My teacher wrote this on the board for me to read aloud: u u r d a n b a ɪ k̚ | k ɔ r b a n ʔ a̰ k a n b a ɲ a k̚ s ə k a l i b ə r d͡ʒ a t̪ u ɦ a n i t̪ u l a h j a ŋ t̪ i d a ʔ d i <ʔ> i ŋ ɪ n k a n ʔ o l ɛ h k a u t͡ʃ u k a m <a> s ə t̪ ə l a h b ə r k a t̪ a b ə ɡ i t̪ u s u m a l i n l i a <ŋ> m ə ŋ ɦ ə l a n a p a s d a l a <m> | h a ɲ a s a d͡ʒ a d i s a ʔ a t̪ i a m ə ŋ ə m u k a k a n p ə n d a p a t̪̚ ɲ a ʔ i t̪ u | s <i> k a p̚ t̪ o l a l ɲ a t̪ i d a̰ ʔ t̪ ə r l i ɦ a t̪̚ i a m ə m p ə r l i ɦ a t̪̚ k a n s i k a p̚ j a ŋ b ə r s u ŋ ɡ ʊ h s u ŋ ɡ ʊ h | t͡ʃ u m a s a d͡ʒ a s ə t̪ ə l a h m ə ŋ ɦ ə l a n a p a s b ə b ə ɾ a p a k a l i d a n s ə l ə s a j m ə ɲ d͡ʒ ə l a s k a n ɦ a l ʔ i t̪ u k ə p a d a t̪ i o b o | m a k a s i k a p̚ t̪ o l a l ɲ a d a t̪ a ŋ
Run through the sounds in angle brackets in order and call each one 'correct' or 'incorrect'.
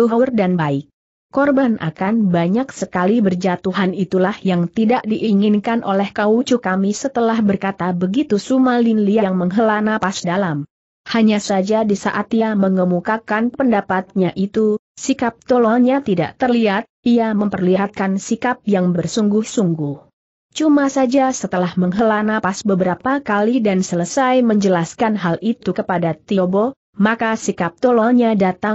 correct, incorrect: i, correct, correct, correct

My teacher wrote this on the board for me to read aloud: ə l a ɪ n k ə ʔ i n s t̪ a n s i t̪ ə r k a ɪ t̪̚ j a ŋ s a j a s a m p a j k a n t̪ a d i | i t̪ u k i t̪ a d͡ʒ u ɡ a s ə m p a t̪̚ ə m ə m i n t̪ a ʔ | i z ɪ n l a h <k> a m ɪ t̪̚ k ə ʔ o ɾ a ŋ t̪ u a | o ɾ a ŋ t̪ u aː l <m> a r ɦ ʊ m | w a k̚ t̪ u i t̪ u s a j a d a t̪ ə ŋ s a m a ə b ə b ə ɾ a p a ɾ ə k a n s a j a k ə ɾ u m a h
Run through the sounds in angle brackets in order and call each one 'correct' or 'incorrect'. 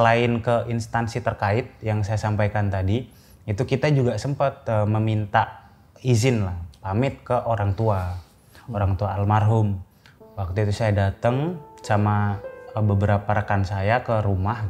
incorrect: p, correct

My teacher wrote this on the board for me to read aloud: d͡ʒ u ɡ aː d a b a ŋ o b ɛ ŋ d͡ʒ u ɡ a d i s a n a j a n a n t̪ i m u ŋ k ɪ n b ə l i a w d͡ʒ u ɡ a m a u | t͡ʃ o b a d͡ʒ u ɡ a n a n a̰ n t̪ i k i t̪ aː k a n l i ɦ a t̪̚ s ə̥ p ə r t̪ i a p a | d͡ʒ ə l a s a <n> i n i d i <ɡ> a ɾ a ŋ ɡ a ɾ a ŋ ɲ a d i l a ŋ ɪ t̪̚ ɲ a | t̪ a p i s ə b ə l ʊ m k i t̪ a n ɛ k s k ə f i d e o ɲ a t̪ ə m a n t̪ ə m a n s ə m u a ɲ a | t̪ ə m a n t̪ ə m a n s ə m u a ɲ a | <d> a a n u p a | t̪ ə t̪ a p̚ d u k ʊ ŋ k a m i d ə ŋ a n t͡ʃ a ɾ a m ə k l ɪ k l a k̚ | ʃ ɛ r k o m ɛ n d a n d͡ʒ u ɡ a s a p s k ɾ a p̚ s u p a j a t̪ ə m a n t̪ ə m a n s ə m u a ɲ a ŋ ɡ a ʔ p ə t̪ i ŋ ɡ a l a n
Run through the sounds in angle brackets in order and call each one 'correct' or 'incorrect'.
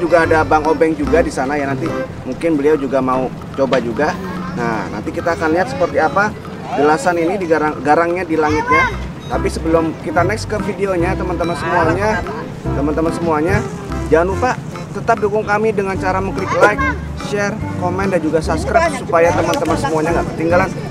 correct, correct, incorrect: d͡ʒ

